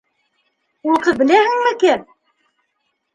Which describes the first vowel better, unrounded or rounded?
rounded